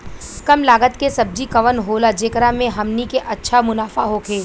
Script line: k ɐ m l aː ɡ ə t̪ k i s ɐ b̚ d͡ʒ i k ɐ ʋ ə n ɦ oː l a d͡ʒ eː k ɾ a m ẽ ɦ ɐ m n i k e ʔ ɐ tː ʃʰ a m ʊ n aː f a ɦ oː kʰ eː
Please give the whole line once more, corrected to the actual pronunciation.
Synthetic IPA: k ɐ m l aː ɡ ə t̪ k e s ɐ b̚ d͡ʒ i k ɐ ʋ ə n ɦ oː l a d͡ʒ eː k ɾ a m ẽ ɦ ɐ m n i k e ʔ ɐ tː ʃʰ a m ʊ n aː f a ɦ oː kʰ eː